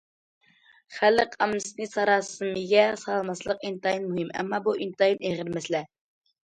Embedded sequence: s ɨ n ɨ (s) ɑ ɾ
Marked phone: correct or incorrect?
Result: correct